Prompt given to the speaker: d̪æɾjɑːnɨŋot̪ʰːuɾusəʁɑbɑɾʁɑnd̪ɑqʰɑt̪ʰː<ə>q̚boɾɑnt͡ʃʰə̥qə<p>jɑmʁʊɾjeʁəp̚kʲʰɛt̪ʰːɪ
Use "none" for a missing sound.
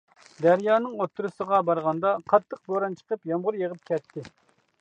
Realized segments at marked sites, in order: ə, p

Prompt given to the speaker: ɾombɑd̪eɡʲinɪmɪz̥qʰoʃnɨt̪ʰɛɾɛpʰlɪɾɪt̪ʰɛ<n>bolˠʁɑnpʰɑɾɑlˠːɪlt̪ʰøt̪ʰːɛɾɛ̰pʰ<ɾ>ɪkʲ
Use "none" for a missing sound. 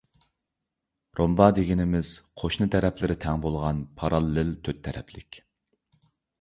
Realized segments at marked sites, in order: ŋ, l

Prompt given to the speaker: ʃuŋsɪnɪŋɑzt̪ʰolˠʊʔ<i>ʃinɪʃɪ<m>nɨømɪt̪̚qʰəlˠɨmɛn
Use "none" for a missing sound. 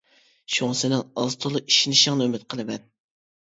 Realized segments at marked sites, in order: i, ŋ

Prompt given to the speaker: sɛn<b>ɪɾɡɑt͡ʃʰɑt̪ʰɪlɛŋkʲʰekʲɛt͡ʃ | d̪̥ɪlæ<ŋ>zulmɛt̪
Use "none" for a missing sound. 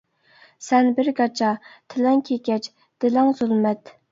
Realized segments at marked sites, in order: b, ŋ

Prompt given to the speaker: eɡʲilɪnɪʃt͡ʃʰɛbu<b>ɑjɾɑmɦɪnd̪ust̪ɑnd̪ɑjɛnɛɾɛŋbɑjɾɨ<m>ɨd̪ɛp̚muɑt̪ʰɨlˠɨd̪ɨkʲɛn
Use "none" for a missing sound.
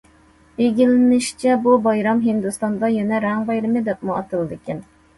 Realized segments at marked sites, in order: b, m

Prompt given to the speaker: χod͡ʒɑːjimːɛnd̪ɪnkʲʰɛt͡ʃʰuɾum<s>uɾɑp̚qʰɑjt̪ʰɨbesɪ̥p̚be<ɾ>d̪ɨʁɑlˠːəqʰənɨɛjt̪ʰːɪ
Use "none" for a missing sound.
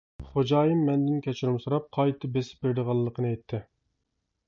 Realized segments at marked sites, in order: s, ɾ

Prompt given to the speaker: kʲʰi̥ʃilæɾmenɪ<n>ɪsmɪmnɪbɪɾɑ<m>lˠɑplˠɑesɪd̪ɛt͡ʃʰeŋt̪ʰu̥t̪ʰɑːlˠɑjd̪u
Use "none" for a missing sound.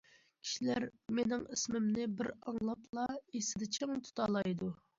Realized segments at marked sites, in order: ŋ, ŋ

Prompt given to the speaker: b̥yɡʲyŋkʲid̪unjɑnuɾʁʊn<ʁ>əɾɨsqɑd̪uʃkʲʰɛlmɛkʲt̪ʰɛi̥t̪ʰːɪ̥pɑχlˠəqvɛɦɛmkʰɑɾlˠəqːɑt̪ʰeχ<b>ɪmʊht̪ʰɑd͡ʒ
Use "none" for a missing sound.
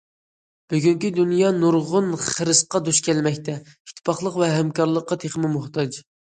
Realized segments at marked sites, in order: χ, m

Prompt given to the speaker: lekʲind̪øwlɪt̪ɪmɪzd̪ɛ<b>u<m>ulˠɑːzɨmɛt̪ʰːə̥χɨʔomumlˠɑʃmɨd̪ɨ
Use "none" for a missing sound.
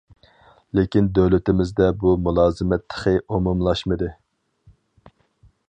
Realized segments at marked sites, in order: b, m

